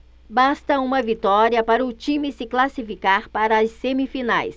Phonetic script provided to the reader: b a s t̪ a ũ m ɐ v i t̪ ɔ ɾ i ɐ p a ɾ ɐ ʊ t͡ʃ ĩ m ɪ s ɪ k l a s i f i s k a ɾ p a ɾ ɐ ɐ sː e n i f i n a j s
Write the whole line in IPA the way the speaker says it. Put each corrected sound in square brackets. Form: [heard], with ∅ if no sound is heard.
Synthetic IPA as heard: b a s t̪ [ɐ] ũ m ɐ v i t̪ ɔ ɾ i ɐ p a ɾ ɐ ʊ t͡ʃ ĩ m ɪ s ɪ k l a s i f i [∅] k a ɾ p a ɾ ɐ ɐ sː e [m] i f i n a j s

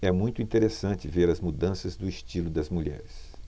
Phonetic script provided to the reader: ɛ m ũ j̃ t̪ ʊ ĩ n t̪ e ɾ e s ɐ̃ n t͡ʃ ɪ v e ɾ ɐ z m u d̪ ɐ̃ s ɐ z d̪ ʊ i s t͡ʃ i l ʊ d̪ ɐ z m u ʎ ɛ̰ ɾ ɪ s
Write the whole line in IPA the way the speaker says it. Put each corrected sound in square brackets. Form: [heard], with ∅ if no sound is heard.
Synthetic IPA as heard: ɛ m ũ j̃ t̪ ʊ ĩ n t̪ e ɾ e s ɐ̃ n t͡ʃ ɪ v e ɾ ɐ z m u d̪ ɐ̃ s ɐ z d̪ ʊ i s t͡ʃ i l ʊ d̪ ɐ z m u ʎ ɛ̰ ɾ ɪ s

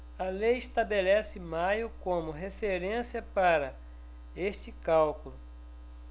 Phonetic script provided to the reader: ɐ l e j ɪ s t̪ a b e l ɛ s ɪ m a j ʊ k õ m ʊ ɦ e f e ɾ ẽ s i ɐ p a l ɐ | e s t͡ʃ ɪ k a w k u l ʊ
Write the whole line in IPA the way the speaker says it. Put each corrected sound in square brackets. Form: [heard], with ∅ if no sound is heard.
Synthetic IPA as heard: ɐ l e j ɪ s t̪ a b e l ɛ s ɪ m a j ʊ k õ m ʊ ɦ e f e ɾ ẽ s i ɐ p a [ɾ] ɐ | e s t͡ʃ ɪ k a w k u l ʊ

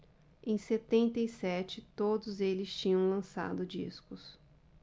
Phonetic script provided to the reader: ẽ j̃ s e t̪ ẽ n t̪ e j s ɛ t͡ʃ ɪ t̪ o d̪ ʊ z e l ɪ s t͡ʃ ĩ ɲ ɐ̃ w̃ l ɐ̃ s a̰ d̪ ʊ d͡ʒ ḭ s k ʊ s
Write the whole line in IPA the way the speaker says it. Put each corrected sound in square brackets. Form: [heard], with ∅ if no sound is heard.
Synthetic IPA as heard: ẽ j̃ s e t̪ ẽ n t̪ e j s ɛ t͡ʃ ɪ t̪ o d̪ ʊ z e l ɪ s t͡ʃ ĩ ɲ ɐ̃ w̃ l ɐ̃ s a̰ d̪ ʊ d͡ʒ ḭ s k ʊ s

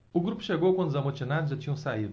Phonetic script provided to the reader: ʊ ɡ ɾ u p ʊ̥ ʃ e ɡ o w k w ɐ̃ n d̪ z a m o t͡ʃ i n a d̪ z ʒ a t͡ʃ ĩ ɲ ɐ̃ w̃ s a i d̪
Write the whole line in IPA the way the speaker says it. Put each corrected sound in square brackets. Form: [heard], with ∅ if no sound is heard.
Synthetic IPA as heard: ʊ ɡ ɾ u p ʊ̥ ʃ e ɡ o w k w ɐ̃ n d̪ z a m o t͡ʃ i n a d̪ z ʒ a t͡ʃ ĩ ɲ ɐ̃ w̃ s a i d̪

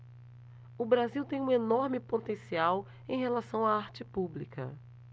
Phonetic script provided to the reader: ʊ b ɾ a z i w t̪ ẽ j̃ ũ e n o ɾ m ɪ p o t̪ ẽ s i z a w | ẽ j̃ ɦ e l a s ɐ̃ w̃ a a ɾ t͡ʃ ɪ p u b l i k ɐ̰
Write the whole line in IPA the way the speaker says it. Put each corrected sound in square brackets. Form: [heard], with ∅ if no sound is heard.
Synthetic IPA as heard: ʊ b ɾ a z i w t̪ ẽ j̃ ũ e n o ɾ m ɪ p o t̪ ẽ s i [∅] a w | ẽ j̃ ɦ e l a s ɐ̃ w̃ a a ɾ t͡ʃ ɪ p u b l i k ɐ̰

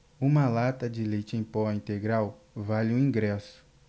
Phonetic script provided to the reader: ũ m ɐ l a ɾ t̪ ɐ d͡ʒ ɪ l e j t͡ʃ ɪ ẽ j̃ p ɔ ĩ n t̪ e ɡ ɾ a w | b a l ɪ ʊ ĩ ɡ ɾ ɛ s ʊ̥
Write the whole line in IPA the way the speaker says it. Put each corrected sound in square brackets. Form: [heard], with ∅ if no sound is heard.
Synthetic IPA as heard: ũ m ɐ l a [∅] t̪ ɐ d͡ʒ ɪ l e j t͡ʃ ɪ ẽ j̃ p ɔ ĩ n t̪ e ɡ ɾ a w | [v] a l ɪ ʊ ĩ ɡ ɾ ɛ s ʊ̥

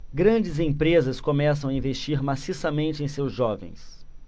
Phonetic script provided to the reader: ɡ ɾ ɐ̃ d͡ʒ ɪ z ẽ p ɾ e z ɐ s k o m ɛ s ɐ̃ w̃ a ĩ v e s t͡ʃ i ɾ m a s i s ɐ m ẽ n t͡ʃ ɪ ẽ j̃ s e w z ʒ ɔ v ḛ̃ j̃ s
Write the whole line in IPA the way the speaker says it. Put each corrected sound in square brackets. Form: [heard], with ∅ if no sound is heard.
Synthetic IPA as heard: ɡ ɾ ɐ̃ d͡ʒ ɪ z ẽ p ɾ e z ɐ s k o m ɛ s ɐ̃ w̃ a ĩ v e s t͡ʃ i ɾ m a s i s ɐ m ẽ n t͡ʃ ɪ ẽ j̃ s e w z ʒ ɔ v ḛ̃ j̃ s

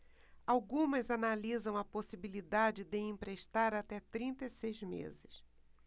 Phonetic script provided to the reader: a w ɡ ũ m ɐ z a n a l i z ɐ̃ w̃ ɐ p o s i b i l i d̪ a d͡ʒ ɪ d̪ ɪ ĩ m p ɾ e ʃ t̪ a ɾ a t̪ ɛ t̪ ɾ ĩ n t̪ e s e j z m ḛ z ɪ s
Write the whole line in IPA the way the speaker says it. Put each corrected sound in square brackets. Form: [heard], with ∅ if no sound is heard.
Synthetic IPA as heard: a w ɡ ũ m ɐ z a n a l i z ɐ̃ w̃ ɐ p o s i b i l i d̪ a d͡ʒ ɪ d̪ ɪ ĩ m p ɾ e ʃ t̪ a ɾ a t̪ ɛ t̪ ɾ ĩ n t̪ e s e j z m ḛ z ɪ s

